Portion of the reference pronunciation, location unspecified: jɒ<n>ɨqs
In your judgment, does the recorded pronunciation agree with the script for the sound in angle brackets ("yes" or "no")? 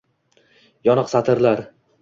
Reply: yes